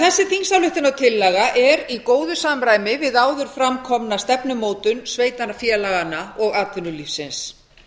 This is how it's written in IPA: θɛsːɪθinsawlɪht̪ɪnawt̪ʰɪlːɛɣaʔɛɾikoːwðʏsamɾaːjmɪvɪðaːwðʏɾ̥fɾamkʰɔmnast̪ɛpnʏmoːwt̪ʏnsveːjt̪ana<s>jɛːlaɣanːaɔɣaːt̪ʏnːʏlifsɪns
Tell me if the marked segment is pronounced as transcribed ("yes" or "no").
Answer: no